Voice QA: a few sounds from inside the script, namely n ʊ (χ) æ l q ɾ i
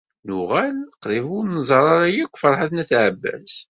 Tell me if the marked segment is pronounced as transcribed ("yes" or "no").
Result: no